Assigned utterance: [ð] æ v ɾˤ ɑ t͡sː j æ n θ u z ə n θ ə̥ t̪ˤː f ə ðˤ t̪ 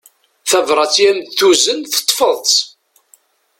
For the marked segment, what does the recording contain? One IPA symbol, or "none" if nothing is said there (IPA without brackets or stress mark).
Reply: θ